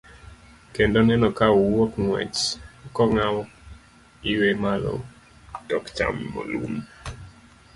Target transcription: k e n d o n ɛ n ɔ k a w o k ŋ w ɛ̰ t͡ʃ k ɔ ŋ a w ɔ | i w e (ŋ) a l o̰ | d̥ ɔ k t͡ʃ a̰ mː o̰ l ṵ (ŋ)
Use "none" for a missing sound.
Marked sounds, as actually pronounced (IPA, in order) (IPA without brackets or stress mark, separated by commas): m, m